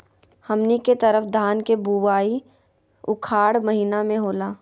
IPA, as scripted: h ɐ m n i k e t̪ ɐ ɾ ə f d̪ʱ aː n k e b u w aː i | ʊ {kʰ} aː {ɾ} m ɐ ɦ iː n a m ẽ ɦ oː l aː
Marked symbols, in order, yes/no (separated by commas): yes, no